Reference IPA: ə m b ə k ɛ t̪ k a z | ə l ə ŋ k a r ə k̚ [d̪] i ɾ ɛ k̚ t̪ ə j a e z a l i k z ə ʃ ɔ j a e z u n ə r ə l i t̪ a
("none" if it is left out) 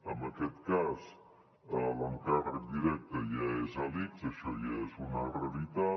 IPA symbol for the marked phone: d̪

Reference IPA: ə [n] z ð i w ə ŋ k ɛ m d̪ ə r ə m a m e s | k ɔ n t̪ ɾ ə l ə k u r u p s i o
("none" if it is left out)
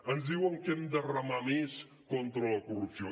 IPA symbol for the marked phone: n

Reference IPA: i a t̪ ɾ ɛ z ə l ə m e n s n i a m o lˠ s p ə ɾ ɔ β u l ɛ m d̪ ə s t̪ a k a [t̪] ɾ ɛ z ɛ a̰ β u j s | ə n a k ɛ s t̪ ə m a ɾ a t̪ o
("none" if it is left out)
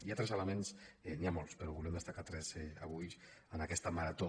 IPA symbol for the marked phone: t̪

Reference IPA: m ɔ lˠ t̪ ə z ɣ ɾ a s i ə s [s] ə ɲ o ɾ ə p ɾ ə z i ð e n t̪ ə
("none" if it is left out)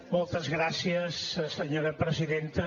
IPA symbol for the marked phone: s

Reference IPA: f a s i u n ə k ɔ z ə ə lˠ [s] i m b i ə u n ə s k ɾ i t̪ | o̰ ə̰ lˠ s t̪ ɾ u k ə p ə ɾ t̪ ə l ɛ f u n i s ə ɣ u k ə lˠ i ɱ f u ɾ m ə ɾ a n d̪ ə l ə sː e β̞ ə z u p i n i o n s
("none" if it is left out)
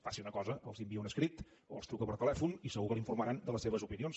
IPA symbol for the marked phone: z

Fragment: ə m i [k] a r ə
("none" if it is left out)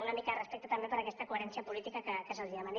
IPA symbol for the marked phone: k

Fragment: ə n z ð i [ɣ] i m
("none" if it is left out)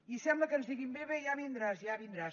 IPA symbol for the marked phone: ɣ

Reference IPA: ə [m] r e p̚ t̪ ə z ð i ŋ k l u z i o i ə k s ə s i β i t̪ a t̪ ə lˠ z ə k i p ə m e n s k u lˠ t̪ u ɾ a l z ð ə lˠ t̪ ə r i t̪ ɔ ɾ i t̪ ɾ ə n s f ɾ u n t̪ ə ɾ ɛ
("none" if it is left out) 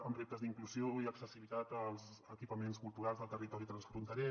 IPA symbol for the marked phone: m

